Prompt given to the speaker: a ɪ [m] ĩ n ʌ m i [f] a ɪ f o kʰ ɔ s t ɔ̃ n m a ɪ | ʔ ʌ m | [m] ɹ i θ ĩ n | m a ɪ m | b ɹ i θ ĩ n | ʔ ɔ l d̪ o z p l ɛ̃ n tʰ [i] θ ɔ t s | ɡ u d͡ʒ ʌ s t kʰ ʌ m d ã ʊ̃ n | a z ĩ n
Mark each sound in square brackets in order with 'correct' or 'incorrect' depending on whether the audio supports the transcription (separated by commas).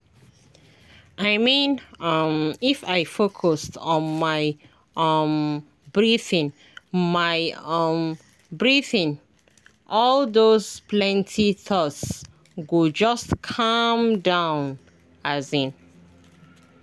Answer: correct, correct, incorrect, correct